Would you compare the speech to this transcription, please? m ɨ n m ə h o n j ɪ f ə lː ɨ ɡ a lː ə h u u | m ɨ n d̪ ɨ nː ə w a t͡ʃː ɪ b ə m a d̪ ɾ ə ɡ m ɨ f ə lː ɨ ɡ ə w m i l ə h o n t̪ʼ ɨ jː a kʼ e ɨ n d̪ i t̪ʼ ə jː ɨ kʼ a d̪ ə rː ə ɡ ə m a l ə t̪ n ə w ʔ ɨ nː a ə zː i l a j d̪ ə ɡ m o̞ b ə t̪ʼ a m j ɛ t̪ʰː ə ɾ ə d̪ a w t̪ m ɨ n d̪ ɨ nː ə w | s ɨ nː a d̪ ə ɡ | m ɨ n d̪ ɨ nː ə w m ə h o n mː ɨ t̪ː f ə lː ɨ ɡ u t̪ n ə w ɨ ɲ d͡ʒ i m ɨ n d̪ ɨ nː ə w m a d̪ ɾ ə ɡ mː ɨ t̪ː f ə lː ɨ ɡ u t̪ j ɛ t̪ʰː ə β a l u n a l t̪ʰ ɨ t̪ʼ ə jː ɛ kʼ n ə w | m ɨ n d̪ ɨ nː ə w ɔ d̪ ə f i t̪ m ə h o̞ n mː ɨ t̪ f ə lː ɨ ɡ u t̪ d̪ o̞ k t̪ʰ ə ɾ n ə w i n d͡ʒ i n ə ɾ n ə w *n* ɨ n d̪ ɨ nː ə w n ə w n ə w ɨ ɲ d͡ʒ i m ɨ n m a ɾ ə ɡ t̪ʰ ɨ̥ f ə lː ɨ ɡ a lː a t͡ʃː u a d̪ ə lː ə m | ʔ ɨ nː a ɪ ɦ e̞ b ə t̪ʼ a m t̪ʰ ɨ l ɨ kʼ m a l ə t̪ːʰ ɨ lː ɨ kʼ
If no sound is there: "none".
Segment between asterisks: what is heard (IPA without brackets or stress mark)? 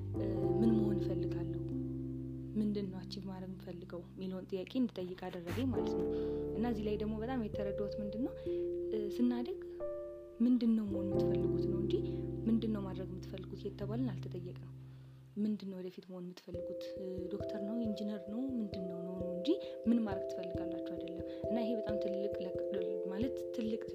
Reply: m